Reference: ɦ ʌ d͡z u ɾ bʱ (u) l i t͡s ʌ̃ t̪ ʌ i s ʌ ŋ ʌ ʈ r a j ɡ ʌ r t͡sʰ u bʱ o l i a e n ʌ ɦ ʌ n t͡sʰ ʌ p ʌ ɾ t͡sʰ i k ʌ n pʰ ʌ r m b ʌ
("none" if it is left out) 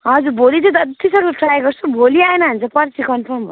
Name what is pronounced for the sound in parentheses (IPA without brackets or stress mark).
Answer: o